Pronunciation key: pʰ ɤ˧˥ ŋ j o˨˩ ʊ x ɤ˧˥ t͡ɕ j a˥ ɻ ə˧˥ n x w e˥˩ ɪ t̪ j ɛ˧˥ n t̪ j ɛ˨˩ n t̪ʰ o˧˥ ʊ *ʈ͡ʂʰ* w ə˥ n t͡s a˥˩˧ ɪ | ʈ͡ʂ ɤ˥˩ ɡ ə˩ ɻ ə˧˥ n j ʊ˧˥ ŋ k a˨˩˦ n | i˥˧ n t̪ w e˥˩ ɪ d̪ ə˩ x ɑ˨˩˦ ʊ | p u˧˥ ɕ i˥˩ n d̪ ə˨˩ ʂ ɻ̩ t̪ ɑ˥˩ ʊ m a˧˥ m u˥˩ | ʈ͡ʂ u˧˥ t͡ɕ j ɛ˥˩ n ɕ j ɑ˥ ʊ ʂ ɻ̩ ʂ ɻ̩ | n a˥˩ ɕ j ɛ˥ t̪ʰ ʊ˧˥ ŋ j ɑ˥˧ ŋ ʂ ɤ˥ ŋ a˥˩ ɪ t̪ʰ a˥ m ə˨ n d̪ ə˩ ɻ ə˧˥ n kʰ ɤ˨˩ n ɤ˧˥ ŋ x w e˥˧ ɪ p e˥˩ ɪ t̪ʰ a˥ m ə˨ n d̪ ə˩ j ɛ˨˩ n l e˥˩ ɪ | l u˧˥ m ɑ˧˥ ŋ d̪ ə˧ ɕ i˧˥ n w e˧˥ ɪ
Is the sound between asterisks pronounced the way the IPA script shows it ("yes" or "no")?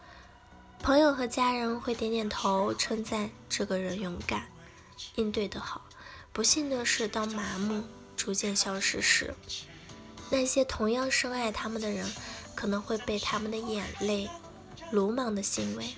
yes